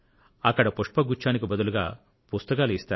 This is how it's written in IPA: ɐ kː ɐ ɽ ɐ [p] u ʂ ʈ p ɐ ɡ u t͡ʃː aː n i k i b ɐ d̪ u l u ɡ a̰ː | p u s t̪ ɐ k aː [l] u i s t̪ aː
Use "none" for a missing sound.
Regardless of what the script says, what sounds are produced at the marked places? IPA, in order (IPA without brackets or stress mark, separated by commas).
p, l